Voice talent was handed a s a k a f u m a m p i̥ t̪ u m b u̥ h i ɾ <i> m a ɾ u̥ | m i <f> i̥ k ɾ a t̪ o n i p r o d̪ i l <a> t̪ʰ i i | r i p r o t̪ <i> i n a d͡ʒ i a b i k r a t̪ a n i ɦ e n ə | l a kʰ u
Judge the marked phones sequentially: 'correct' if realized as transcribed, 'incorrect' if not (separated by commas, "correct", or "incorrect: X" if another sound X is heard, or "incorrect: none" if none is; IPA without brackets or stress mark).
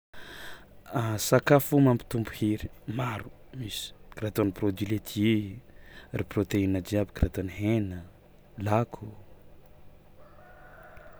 correct, incorrect: s, incorrect: e, incorrect: e